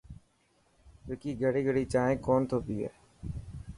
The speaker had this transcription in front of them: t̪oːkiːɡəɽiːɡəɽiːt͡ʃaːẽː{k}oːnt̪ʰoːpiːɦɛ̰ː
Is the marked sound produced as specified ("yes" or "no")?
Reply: yes